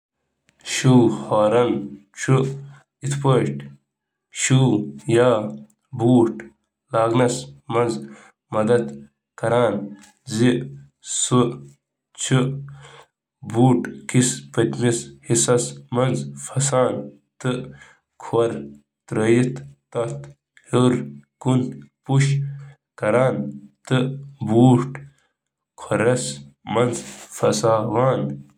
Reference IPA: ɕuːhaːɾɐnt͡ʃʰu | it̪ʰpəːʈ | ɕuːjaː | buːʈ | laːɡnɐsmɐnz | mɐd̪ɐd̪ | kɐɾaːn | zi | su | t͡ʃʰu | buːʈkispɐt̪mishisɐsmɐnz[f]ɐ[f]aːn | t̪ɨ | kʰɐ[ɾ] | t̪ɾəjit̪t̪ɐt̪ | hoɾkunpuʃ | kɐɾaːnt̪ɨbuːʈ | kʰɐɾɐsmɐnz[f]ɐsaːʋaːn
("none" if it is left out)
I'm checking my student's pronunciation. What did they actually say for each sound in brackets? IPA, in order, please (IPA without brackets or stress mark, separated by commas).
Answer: f, s, ɾ, f